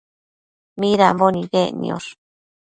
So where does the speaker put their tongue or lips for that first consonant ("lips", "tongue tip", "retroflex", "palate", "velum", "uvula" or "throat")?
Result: lips